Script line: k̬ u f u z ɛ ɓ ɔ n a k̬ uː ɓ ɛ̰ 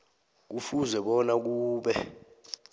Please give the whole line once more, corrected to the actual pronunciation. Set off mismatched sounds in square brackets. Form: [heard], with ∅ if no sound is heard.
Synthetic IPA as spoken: k̬ u f u z ɛ ɓ ɔ n a k̬ uː ɓ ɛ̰